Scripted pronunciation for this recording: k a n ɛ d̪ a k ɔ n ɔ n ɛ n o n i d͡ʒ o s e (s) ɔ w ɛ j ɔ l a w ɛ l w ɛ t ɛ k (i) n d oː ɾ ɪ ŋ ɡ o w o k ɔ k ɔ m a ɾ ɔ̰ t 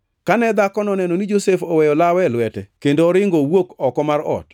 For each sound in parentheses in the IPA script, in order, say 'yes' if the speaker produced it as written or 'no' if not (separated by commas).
no, no